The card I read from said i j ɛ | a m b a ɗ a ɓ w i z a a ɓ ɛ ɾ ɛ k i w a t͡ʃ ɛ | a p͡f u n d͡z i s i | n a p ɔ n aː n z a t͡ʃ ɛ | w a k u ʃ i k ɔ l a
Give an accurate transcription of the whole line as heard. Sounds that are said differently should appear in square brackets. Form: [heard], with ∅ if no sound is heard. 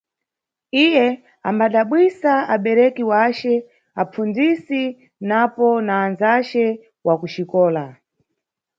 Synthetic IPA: i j ɛ | a m b a ɗ a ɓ w i [s] a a ɓ ɛ ɾ ɛ k i w a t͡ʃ ɛ | a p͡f u n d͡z i s i | n a p ɔ n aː n z a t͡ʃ ɛ | w a k u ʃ i k [ɔː] l a